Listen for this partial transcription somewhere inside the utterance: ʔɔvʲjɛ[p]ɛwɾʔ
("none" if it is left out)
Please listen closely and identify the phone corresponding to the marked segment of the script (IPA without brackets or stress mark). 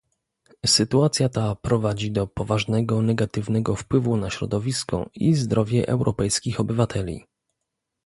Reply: ʔ